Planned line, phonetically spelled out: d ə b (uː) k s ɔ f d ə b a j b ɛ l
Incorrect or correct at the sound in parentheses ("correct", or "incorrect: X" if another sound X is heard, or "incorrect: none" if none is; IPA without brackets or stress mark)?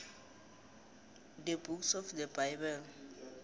incorrect: u